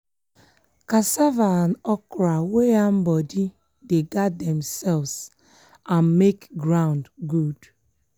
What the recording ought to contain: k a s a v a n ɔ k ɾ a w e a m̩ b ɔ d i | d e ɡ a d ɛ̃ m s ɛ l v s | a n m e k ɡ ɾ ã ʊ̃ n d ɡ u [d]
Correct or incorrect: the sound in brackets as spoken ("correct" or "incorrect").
correct